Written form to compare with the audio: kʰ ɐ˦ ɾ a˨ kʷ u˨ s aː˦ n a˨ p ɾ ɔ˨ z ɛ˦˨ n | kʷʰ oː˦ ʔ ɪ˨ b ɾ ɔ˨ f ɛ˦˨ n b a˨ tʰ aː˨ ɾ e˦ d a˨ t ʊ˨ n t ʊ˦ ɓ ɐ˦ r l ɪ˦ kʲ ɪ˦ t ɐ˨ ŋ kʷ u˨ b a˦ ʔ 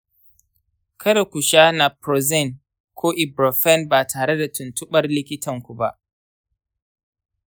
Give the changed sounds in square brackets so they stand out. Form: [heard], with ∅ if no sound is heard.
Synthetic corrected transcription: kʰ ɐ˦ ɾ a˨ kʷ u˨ [ʃ] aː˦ n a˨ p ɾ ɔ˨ z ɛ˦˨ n | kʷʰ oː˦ ʔ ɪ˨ b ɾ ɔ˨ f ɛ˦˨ n b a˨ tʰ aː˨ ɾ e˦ d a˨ t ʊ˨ n t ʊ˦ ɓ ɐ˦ r l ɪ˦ kʲ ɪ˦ t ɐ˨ ŋ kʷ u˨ b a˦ ʔ

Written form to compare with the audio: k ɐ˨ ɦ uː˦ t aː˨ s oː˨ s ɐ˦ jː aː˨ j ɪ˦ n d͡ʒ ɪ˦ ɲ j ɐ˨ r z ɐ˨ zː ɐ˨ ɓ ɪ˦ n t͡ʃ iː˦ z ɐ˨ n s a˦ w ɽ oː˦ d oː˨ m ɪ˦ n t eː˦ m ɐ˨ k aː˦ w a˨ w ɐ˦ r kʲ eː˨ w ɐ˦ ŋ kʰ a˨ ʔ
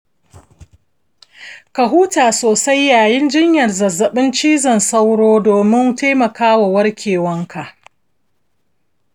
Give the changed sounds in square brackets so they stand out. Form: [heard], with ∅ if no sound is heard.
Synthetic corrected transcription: k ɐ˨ ɦ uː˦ t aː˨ s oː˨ s [a˦] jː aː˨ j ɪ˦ n d͡ʒ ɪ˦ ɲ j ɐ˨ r z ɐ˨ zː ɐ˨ ɓ ɪ˦ n t͡ʃ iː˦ z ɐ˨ n s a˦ w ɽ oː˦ d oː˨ m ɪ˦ n t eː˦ m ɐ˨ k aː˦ w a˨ w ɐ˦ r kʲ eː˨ w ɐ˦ ŋ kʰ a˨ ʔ

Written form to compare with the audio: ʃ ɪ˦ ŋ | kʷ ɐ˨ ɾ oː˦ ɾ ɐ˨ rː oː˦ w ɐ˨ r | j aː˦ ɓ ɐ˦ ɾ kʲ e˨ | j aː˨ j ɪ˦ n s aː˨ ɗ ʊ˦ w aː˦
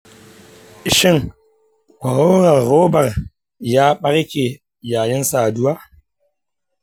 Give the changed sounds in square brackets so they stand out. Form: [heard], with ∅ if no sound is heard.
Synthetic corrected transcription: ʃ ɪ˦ ŋ | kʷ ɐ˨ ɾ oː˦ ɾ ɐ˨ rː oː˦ [b] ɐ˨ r | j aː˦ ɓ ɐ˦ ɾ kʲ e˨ | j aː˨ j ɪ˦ n s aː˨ [d] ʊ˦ w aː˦

